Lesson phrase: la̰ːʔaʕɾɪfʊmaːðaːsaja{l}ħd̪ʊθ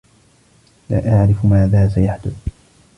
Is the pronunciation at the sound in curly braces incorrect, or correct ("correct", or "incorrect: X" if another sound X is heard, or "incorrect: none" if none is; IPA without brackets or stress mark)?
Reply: incorrect: none